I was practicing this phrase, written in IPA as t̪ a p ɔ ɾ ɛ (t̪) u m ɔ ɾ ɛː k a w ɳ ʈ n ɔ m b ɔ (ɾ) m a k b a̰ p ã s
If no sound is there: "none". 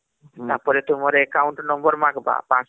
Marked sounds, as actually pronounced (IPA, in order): t̪, ɾ

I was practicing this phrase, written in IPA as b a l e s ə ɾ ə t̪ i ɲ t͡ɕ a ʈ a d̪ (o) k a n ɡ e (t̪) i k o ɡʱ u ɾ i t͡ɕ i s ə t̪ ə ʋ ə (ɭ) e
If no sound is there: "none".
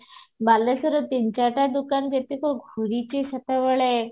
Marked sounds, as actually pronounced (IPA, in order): u, t̪, ɭ

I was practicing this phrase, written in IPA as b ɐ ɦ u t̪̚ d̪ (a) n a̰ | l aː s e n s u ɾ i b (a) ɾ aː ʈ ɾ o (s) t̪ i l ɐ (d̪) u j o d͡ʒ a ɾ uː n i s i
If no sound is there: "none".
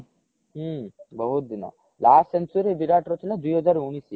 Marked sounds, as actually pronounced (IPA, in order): i, i, none, d̪

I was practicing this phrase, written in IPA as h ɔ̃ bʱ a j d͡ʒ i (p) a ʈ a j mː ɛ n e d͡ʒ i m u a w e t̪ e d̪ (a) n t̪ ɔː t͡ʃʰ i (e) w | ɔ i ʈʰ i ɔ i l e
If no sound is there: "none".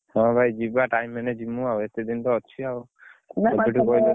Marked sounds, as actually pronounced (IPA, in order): b, i, a

